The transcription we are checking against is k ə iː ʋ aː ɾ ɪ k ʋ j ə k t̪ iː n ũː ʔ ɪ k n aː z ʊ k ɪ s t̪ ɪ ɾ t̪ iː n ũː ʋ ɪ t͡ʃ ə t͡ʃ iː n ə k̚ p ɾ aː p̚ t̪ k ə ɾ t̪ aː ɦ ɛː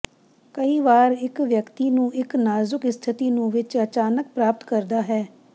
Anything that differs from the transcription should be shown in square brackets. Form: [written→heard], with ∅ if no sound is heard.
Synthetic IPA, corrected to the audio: k ə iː ʋ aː ɾ ɪ k ʋ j ə k t̪ iː n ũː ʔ ɪ k n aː z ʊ k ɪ s [t̪→t̪ʰ] ɪ [ɾ→∅] t̪ iː n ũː ʋ ɪ t͡ʃ ə t͡ʃ [iː→aː] n ə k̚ p ɾ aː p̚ t̪ k ə ɾ [t̪→d̪] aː ɦ ɛː